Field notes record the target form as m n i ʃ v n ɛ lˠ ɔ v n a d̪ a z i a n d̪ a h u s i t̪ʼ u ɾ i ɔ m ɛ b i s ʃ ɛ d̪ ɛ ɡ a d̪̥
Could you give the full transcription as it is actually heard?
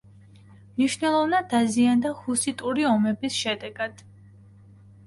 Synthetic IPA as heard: m n i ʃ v n ɛ lˠ ɔ v n a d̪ a z i a n d̪ a h u s i t̪ʼ u ɾ i ɔ m ɛ b i s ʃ ɛ d̪ ɛ ɡ a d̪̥